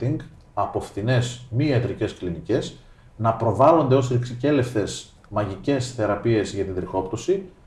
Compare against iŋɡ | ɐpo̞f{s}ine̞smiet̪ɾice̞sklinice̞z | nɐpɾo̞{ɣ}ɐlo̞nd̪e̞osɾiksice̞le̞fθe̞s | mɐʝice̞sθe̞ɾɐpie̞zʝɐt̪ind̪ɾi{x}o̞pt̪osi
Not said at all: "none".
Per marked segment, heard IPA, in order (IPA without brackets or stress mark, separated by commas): θ, v, x